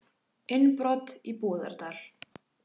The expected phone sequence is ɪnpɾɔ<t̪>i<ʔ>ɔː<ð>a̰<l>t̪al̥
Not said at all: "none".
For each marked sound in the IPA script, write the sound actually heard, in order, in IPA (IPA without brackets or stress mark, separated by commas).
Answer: t̪, p, ð, ɾ